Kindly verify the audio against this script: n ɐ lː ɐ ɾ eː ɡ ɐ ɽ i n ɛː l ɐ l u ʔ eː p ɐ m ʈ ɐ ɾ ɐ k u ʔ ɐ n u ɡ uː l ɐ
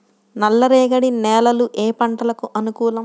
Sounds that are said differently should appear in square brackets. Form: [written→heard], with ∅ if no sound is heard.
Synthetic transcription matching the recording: n ɐ lː ɐ ɾ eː ɡ ɐ ɽ i n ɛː l ɐ l u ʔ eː p ɐ [m→ɳ] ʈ ɐ [ɾ→l] ɐ k u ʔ ɐ n u [ɡ→k] uː l ɐ